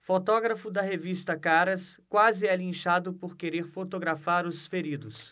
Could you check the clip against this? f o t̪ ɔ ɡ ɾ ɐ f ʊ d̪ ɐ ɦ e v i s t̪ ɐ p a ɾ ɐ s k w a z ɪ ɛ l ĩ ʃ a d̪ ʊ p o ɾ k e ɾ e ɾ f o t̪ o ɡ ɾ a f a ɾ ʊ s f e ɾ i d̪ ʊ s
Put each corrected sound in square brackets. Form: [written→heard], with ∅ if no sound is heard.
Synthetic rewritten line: f o t̪ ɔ ɡ ɾ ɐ f ʊ d̪ ɐ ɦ e v i s t̪ ɐ [p→k] a ɾ ɐ s k w a z ɪ ɛ l ĩ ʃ a d̪ ʊ p o ɾ k e ɾ e ɾ f o t̪ o ɡ ɾ a f a ɾ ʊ s f e ɾ i d̪ ʊ s